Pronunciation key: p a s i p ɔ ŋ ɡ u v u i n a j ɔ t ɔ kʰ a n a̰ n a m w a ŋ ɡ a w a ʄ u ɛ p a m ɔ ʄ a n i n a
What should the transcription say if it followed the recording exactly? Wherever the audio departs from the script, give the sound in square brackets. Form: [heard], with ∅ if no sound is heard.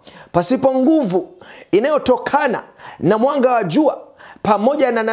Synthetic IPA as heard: p a s i p ɔ ŋ ɡ u v u i n a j ɔ t ɔ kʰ a n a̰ n a m w a ŋ ɡ a w a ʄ u [a] p a m ɔ ʄ a n [a] n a